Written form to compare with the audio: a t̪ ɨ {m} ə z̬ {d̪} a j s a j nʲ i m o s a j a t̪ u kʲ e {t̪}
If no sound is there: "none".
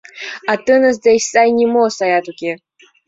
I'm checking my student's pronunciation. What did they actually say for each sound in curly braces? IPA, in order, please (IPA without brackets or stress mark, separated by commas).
n, d̪, none